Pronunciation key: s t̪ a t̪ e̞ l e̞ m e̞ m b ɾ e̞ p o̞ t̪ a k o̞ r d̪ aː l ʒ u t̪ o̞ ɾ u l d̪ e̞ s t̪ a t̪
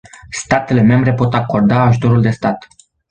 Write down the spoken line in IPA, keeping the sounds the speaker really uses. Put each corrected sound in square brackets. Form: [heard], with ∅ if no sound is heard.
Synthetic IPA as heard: s t̪ a t̪ e̞ l e̞ m e̞ m b ɾ e̞ p o̞ t̪ a k o̞ r d̪ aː [∅] ʒ u t̪ o̞ ɾ u l d̪ e̞ s t̪ a t̪